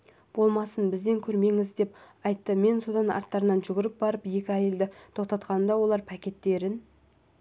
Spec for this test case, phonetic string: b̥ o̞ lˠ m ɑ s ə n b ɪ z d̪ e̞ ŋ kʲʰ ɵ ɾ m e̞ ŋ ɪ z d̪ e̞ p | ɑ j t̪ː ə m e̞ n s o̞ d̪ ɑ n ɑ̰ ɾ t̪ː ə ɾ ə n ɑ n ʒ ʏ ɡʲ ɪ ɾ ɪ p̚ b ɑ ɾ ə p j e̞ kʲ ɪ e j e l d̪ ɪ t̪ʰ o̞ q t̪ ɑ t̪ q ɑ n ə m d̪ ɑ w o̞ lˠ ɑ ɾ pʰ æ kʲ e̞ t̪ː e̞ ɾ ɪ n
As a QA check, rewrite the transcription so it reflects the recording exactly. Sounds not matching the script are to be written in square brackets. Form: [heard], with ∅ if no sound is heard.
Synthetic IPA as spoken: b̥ o̞ lˠ m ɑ s ə n b ɪ z d̪ e̞ ŋ kʲʰ ɵ ɾ m e̞ ŋ ɪ z d̪ e̞ p | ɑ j t̪ː ə m e̞ n s o̞ d̪ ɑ n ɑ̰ ɾ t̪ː [ɑ] ɾ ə n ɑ n ʒ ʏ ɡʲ ɪ ɾ ɪ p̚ b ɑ ɾ ə p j e̞ kʲ ɪ [æ] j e l d̪ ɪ t̪ʰ o̞ q t̪ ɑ t̪ q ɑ n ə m d̪ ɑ w o̞ lˠ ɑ ɾ pʰ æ kʲ e̞ t̪ː e̞ ɾ ɪ n

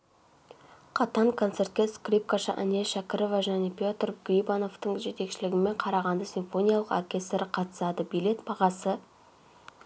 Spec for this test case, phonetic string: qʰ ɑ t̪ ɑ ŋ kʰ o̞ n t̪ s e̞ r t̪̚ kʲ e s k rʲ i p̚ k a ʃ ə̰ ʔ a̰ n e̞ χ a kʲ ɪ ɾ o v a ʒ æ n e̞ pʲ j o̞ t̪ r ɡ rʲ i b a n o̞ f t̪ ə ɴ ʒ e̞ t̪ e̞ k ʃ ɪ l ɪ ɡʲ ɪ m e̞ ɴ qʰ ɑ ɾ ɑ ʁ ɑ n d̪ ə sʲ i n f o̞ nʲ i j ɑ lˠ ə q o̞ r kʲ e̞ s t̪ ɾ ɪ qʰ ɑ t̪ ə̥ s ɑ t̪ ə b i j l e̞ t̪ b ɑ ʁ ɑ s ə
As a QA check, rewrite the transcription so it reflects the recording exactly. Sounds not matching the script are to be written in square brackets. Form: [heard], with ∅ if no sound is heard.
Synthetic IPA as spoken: qʰ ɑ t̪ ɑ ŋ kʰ o̞ n t̪ s e̞ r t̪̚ kʲ e s k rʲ i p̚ k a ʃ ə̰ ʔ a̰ n e̞ [ʃ] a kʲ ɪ ɾ o v a ʒ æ n e̞ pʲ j o̞ t̪ r ɡ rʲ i b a n o̞ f t̪ ə ɴ ʒ e̞ t̪ e̞ k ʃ ɪ l ɪ ɡʲ ɪ m e̞ ɴ qʰ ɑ ɾ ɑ ʁ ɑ n d̪ ə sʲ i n f o̞ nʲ i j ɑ lˠ ə q o̞ r kʲ e̞ s t̪ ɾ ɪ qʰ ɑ t̪ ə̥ s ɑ [d̪] ə b i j l e̞ t̪ b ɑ ʁ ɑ s ə

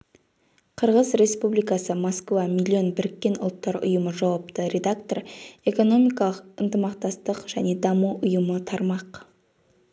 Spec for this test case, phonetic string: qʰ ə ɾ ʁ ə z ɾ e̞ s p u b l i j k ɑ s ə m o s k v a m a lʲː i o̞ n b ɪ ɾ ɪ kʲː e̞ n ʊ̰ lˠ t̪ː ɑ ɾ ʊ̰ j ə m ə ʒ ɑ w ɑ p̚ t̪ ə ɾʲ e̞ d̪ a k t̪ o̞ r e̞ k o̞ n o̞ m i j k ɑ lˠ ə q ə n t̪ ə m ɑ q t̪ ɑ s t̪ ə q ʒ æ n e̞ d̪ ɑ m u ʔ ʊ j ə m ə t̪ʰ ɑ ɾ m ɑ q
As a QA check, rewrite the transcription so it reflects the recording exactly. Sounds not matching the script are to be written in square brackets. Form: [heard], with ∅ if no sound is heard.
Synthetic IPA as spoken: qʰ ə ɾ ʁ ə z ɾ e̞ s p u b l i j k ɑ s ə m o s k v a m [i] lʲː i o̞ n b ɪ ɾ ɪ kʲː e̞ n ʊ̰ lˠ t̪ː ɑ ɾ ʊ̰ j ə m ə ʒ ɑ w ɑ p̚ t̪ ə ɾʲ e̞ d̪ a k t̪ o̞ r e̞ k o̞ n o̞ m i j k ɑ lˠ ə q ə n t̪ ə m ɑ q t̪ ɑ s t̪ ə q ʒ æ n e̞ d̪ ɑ m u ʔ ʊ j ə m ə t̪ʰ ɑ ɾ m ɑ q

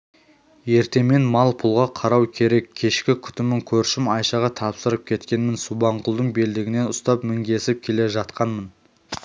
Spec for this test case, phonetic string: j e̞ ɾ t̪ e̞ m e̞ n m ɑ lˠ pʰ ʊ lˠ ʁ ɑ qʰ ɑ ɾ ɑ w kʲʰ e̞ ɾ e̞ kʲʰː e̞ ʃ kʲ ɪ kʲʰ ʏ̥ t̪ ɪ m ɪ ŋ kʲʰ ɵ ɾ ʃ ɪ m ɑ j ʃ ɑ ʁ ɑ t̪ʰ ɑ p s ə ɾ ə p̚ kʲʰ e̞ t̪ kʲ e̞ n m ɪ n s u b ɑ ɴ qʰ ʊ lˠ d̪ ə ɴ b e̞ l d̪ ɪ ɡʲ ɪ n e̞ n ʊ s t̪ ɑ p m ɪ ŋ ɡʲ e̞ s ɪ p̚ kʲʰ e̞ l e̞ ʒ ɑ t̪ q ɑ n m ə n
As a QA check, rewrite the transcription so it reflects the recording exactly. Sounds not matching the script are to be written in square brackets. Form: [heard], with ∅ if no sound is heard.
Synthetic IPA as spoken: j e̞ ɾ t̪ e̞ m e̞ n m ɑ lˠ pʰ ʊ lˠ ʁ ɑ qʰ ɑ ɾ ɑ w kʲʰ e̞ ɾ e̞ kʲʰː e̞ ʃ kʲ ɪ kʲʰ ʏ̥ t̪ ɪ m ɪ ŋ kʲʰ ɵ ɾ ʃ ɪ m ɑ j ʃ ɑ ʁ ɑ t̪ʰ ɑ p s ə ɾ ə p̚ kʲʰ e̞ t̪ kʲ e̞ n m ɪ n s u b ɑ ɴ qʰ ʊ lˠ d̪ ə ɴ b e̞ l d̪ ɪ ɡʲ ɪ n e̞ n ʊ s t̪ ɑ p m ɪ ŋ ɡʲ e̞ s ɪ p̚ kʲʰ e̞ l e̞ ʒ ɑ t̪ q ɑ n m ə n

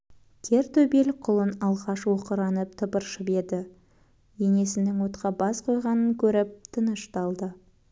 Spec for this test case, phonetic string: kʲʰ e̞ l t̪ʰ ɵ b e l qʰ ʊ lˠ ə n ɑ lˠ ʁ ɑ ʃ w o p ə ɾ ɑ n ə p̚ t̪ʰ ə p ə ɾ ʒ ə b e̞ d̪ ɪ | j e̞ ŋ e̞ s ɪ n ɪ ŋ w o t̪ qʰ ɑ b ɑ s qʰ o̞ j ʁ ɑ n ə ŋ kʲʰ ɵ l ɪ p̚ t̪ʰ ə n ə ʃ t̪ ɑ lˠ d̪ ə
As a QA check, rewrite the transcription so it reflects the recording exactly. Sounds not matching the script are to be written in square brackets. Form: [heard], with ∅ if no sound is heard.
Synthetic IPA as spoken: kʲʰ e̞ [ɾ] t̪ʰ ɵ b e l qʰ ʊ lˠ ə n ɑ lˠ ʁ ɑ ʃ w o [q] ə ɾ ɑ n ə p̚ t̪ʰ ə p ə ɾ [ʃ] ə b e̞ d̪ ɪ | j e̞ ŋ e̞ s ɪ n ɪ ŋ w o t̪ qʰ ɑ b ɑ s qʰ o̞ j ʁ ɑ n ə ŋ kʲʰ ɵ [ɾ] ɪ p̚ t̪ʰ ə n ə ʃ t̪ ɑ lˠ d̪ ə

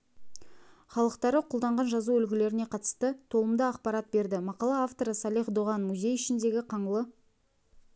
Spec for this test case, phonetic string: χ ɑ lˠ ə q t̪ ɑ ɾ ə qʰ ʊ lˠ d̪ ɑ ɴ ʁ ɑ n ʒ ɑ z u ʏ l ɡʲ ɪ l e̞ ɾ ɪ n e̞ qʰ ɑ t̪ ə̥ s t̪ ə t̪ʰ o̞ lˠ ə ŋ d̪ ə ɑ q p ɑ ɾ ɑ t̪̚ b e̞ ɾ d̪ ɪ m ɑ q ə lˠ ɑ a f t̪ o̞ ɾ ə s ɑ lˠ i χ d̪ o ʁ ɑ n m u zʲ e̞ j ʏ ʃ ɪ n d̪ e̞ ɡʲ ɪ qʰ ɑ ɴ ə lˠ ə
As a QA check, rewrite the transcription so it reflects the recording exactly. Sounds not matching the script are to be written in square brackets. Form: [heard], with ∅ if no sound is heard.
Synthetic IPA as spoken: χ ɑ lˠ ə q t̪ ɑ ɾ ə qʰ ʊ lˠ d̪ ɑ ɴ ʁ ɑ n ʒ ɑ z u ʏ l ɡʲ ɪ l e̞ ɾ ɪ n e̞ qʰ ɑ t̪ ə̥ s t̪ ə t̪ʰ o̞ lˠ ə [m] d̪ ə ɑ q p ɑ ɾ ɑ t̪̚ b e̞ ɾ d̪ ɪ m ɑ q [ɑ] lˠ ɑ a f t̪ o̞ ɾ ə s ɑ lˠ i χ d̪ o ʁ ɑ n m u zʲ e̞ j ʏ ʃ ɪ n d̪ e̞ ɡʲ ɪ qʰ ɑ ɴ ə lˠ ə

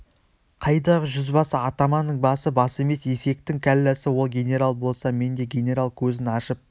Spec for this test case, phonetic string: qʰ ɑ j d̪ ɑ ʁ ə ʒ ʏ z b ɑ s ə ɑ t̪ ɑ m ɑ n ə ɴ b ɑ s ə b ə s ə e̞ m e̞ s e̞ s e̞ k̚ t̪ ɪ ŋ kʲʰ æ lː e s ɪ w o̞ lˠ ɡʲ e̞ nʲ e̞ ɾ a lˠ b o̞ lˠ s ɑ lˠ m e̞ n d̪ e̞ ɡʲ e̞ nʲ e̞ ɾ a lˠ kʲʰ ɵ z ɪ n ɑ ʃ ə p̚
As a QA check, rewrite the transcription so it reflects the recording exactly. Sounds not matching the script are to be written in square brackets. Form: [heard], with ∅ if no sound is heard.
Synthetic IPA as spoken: qʰ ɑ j d̪ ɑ ʁ ə ʒ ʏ z b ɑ s ə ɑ t̪ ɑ m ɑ n ə ɴ b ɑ s ə b [ɑ] s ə e̞ m e̞ s e̞ s e̞ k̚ t̪ ɪ ŋ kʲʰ æ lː [æ] s ɪ w o̞ lˠ ɡʲ e̞ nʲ e̞ ɾ a lˠ b o̞ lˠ s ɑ [∅] m e̞ n d̪ e̞ ɡʲ e̞ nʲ e̞ ɾ a lˠ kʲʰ ɵ z ɪ n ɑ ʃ ə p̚

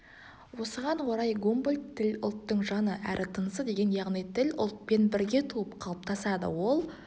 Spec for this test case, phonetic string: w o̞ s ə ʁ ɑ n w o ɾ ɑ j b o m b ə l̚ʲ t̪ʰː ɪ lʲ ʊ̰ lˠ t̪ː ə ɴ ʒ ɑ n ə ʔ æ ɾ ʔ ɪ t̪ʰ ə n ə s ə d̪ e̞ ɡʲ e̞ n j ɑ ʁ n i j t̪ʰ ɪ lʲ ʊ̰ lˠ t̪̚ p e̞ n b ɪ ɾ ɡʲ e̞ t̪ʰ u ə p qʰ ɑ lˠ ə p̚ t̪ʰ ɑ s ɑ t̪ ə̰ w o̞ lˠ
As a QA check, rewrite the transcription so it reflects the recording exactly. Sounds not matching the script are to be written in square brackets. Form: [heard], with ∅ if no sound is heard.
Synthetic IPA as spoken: w o̞ s ə ʁ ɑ n w o ɾ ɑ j [ɡ] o m b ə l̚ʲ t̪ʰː ɪ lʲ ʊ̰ lˠ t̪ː ə ɴ ʒ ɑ n ə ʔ æ ɾ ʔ ɪ t̪ʰ ə n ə s ə d̪ e̞ ɡʲ e̞ n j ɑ ʁ n i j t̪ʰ ɪ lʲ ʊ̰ lˠ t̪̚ p e̞ n b ɪ ɾ ɡʲ e̞ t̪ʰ u ə p qʰ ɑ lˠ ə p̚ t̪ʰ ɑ s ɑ [d̪] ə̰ w o̞ lˠ

